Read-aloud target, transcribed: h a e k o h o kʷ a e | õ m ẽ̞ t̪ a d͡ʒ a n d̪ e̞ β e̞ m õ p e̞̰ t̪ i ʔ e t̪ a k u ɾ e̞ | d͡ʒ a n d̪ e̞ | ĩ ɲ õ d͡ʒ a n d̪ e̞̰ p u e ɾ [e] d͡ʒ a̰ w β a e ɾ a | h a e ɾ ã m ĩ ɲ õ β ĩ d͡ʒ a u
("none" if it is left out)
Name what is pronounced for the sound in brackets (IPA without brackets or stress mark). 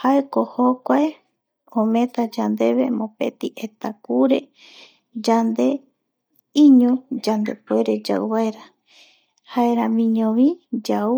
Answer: e